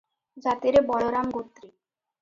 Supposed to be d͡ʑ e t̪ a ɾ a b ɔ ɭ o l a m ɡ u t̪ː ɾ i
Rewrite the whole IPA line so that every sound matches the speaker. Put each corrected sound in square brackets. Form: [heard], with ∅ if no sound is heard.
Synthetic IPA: d͡ʑ [a] t̪ [i] ɾ [e] b ɔ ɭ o [ɾ] a m ɡ [o] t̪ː ɾ i